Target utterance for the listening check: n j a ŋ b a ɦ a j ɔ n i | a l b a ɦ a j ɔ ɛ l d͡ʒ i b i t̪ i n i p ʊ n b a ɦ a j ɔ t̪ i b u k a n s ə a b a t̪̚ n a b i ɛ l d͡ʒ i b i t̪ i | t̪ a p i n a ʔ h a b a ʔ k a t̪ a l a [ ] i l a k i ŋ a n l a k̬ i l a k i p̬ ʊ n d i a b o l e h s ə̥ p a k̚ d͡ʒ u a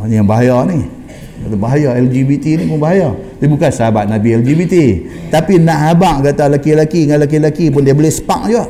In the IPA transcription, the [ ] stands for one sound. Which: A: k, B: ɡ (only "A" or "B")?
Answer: A